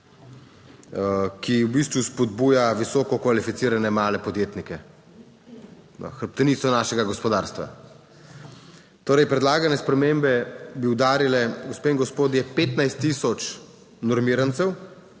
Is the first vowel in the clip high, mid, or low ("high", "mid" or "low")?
high